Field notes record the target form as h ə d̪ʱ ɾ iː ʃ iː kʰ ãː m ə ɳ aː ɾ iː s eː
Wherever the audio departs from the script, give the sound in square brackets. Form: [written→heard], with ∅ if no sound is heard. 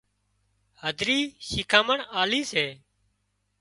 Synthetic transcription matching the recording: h ə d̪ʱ ɾ iː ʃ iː kʰ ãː m ə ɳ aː [ɾ→l] iː s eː

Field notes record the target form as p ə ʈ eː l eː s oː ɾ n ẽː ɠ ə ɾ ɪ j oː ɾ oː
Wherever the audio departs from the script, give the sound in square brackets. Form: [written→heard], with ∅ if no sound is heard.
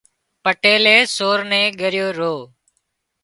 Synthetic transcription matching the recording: p ə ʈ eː l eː s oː ɾ n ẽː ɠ ə ɾ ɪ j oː ɾ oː

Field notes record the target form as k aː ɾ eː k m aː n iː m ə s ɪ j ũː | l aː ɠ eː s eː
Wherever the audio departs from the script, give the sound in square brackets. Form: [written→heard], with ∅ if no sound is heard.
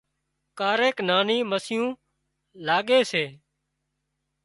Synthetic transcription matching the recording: k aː ɾ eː k [m→n] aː n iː m ə s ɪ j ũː | l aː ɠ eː s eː

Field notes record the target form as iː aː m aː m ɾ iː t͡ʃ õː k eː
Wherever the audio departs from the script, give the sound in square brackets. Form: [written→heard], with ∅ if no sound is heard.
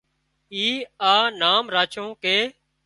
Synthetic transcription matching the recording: iː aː [m→n] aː m ɾ [iː→aː] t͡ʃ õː k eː

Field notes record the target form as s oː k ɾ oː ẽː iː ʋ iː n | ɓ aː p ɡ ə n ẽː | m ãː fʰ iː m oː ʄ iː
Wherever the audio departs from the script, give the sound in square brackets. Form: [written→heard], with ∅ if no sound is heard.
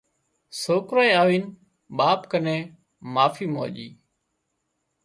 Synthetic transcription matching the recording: s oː k ɾ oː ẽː [iː→aː] ʋ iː n | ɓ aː p [ɡ→k] ə n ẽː | m [ãː→aː] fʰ iː m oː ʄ iː

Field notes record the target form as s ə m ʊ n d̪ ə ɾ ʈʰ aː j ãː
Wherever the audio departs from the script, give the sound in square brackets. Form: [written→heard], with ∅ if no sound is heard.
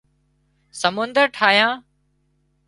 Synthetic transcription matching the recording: s ə m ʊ n d̪ ə ɾ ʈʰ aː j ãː

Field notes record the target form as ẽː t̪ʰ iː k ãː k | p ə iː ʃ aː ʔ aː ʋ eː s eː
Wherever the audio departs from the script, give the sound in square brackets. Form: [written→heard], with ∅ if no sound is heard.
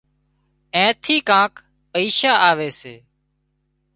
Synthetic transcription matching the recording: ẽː t̪ʰ iː k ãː k | p ə iː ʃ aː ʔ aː ʋ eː s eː

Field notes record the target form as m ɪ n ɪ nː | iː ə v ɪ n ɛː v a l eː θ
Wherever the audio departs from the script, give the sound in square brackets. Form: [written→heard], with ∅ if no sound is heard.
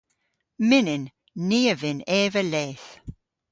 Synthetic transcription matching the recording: m ɪ n ɪ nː | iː ə v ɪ n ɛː v [a→ə] l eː θ

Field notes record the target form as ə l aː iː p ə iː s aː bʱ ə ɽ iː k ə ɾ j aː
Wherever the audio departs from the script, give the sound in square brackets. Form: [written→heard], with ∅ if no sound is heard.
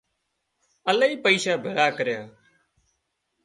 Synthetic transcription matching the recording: ə l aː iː p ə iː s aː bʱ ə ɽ [iː→aː] k ə ɾ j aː

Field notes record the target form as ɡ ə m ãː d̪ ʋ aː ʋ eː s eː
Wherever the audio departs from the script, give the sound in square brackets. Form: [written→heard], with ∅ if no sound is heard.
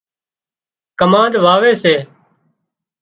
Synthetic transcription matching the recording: [ɡ→k] ə m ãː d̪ ʋ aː ʋ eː s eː

